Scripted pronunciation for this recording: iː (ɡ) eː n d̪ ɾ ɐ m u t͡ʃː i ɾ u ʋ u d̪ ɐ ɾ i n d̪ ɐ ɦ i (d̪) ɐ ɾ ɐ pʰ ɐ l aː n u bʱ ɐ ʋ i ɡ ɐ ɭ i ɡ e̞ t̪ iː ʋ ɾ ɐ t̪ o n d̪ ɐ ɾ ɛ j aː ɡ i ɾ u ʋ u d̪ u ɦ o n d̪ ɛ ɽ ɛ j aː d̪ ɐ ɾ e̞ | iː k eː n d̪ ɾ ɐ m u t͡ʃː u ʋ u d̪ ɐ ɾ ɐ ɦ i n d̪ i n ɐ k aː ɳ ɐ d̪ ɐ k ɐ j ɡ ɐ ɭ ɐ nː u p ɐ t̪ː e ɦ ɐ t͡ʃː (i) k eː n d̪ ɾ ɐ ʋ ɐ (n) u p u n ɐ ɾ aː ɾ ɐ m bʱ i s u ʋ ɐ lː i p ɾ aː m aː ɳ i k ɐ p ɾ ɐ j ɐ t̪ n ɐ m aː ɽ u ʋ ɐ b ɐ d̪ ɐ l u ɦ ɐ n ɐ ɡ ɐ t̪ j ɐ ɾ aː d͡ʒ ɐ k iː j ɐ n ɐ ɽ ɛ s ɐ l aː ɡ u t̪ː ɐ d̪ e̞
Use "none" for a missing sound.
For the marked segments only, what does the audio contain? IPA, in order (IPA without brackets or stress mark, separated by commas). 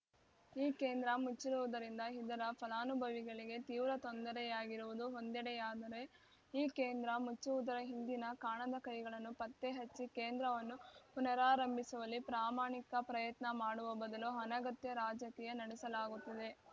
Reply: k, d̪, i, nː